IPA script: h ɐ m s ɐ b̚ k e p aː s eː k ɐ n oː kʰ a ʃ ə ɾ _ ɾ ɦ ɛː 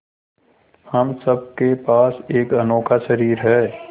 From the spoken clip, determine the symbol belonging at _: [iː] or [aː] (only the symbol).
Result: iː